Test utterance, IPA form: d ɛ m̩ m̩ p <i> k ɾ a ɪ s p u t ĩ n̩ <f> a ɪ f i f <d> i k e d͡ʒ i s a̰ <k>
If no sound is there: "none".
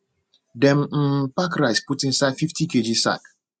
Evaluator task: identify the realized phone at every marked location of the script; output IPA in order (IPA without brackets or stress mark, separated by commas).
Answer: a, s, t, k